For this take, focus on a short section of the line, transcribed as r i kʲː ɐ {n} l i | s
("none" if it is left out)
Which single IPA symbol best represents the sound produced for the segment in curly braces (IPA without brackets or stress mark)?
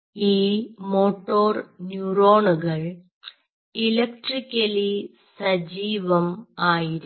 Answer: none